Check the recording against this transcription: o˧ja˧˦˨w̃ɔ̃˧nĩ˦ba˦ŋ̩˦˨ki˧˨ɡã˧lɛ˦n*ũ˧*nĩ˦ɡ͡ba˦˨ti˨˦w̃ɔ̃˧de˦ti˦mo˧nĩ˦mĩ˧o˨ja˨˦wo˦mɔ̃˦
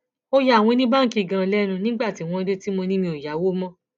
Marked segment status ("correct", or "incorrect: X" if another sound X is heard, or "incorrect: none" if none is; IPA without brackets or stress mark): correct